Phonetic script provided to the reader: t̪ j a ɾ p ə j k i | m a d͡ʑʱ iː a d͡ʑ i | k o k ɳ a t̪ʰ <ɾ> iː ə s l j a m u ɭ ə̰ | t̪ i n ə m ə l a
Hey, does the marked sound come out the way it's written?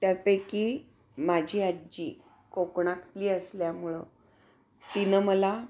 no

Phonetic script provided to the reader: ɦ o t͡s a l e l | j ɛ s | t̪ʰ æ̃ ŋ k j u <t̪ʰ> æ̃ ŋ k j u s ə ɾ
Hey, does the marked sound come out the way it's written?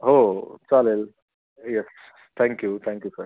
yes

